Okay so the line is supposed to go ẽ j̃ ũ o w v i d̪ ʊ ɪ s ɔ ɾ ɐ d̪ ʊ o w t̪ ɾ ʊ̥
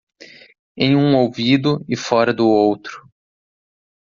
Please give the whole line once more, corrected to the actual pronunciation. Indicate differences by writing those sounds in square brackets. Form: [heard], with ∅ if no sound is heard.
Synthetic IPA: ẽ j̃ ũ o w v i d̪ ʊ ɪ [f] ɔ ɾ ɐ d̪ ʊ o w t̪ ɾ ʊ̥